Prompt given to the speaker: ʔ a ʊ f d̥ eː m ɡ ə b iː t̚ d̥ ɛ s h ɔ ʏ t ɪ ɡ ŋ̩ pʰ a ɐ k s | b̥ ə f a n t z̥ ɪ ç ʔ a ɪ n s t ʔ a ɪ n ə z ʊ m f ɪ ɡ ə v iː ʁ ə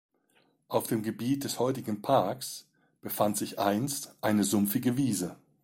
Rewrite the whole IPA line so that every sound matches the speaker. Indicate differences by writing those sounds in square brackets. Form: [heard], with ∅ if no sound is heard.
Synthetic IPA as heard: ʔ a ʊ f d̥ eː m ɡ ə b iː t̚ d̥ ɛ s h ɔ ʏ t ɪ ɡ ŋ̩ pʰ a ɐ k s | b̥ ə f a n t z̥ ɪ ç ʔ a ɪ n s t ʔ a ɪ n ə z ʊ m f ɪ ɡ ə v iː [z] ə